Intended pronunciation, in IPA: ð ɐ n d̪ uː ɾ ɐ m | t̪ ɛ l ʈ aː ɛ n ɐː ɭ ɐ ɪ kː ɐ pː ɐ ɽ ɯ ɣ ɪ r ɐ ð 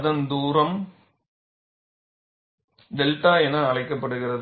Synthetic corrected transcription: ð ɐ n d̪ uː ɾ ɐ m | d̪ ɛ l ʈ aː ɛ n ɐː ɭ ɐ ɪ kː ɐ pː ɐ ɽ ɯ ɣ ɪ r ɐ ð